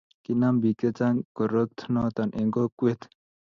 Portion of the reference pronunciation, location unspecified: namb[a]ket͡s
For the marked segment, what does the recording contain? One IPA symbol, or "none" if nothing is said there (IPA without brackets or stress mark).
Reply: i